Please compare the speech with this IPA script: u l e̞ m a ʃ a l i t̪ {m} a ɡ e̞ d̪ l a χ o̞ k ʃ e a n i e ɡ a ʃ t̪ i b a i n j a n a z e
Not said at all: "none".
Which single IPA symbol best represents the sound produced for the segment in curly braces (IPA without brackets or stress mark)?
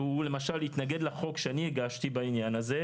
n